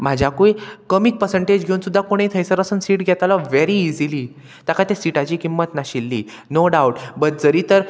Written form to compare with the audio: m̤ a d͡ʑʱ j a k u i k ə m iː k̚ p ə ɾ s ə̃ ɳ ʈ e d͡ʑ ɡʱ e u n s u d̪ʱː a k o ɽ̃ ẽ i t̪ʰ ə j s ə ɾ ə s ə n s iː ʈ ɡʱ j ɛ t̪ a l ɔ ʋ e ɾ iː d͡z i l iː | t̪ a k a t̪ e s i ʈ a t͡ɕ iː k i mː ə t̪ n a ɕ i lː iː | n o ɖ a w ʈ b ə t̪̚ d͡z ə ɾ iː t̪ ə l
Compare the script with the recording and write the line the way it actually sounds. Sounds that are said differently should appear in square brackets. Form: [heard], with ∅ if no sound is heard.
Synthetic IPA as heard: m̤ a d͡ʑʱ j a k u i k ə m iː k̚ p ə ɾ s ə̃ ɳ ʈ e d͡ʑ ɡʱ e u n s u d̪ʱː a k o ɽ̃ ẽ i t̪ʰ ə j s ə ɾ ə s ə n s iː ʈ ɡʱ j ɛ t̪ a l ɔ ʋ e ɾ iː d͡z i l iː | t̪ a k a t̪ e s i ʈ a t͡ɕ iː k i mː ə t̪ n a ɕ i lː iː | n o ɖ a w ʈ b ə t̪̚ d͡z ə ɾ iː t̪ ə [ɾ]